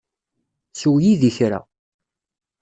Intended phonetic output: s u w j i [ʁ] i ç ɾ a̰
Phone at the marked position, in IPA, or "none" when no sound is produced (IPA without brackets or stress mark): ð